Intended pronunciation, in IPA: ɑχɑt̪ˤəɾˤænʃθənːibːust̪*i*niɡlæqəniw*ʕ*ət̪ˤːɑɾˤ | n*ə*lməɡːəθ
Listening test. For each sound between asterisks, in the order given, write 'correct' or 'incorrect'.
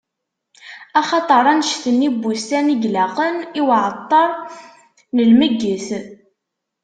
incorrect, correct, correct

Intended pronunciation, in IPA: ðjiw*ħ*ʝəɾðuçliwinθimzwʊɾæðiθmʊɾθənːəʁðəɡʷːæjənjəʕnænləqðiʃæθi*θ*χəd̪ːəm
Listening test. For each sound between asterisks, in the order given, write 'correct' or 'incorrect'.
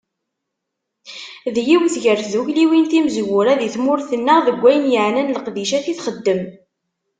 incorrect, correct

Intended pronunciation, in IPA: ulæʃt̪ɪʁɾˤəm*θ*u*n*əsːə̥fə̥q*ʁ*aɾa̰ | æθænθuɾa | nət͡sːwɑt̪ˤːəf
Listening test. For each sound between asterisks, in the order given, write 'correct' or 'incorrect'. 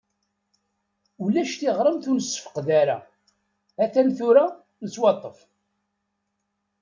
correct, correct, incorrect

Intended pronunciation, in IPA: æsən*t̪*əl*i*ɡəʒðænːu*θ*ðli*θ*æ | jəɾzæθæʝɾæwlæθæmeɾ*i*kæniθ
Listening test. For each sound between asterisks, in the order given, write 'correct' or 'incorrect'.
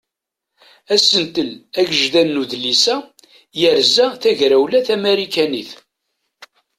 correct, incorrect, incorrect, incorrect, correct

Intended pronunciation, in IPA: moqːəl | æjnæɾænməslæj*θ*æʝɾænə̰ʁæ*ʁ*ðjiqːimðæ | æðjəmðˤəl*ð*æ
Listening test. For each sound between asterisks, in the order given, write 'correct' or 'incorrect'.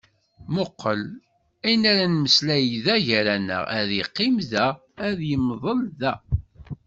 incorrect, incorrect, correct

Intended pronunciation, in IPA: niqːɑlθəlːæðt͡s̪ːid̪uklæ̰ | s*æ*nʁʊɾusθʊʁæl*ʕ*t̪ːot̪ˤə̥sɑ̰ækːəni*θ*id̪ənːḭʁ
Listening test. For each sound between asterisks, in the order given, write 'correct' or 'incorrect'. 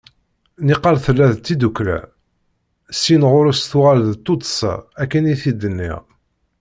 incorrect, incorrect, correct

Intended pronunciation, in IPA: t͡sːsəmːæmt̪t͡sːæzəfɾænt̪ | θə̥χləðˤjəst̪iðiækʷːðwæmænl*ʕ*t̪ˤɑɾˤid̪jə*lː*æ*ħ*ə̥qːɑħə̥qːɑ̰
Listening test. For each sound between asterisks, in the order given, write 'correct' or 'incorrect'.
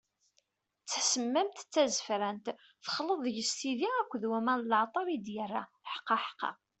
correct, incorrect, correct

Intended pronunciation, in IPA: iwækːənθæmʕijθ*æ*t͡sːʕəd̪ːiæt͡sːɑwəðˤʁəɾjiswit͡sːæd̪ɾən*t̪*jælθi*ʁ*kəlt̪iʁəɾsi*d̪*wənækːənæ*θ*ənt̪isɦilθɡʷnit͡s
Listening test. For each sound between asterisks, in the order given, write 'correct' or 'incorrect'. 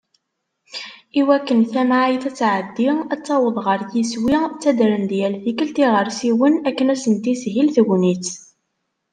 correct, incorrect, incorrect, incorrect, incorrect

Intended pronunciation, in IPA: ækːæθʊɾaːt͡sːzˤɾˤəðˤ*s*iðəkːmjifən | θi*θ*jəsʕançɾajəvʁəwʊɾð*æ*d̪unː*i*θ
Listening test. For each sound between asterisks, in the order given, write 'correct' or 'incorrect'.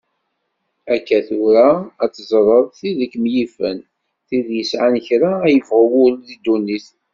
incorrect, incorrect, incorrect, correct

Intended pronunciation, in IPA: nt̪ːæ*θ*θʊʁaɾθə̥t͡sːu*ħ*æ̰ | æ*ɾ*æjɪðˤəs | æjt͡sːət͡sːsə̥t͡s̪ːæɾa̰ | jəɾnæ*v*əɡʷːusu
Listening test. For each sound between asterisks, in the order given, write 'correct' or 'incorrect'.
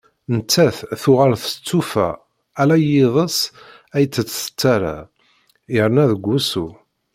correct, incorrect, incorrect, incorrect

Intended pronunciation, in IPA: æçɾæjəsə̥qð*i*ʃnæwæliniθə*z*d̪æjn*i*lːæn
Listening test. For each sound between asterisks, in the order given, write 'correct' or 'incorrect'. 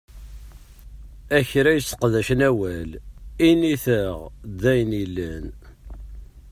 incorrect, incorrect, correct

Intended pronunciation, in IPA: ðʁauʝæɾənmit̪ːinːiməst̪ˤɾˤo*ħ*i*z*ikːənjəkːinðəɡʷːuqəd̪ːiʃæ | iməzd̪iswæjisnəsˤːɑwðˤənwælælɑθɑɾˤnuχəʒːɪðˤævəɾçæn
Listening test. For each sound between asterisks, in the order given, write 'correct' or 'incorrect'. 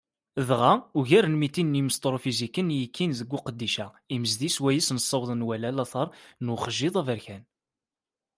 incorrect, correct

